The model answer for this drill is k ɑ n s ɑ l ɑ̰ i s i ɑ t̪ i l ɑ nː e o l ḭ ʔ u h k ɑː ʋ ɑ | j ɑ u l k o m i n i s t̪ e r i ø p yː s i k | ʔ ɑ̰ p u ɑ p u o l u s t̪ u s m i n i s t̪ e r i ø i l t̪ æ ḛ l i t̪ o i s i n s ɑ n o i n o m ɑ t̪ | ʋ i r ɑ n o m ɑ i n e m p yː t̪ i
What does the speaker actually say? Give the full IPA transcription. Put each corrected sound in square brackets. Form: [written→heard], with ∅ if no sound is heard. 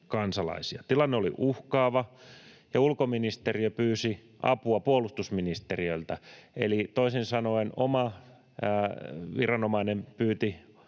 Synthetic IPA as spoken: k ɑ n s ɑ l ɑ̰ i s i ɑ t̪ i l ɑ nː e o l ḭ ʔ u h k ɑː ʋ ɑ | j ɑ u l k o m i n i s t̪ e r i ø p yː s i [k→∅] | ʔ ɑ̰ p u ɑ p u o l u s t̪ u s m i n i s t̪ e r i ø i l t̪ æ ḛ l i t̪ o i s i n s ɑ n o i n o m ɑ [t̪→∅] | ʋ i r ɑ n o m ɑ i n e m p yː t̪ i